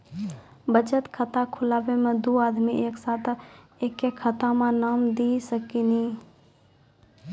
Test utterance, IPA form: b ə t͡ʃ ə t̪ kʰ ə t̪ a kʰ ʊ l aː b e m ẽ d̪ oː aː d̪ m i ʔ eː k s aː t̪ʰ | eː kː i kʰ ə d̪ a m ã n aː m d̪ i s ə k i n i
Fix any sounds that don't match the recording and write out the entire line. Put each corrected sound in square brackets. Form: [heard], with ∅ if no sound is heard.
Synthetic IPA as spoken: b ə t͡ʃ ə t̪ kʰ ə t̪ a kʰ ʊ l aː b e m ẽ d̪ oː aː d̪ m i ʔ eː k s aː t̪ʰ | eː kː [e] kʰ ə [t̪] a m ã n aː m d̪ i s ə k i n i